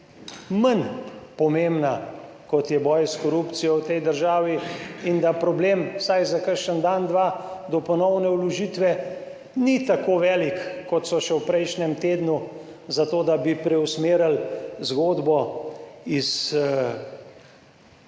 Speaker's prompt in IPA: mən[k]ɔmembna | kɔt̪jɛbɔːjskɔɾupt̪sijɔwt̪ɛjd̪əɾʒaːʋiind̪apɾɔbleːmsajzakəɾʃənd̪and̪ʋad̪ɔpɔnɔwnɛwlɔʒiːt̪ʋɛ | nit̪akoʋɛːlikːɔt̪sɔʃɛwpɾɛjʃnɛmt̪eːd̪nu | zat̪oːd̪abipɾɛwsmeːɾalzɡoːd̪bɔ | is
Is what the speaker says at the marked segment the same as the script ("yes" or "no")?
no